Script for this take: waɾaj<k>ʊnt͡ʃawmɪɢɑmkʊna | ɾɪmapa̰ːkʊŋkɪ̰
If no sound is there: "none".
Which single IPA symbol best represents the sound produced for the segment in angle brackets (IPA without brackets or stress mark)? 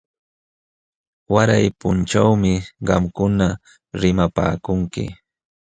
p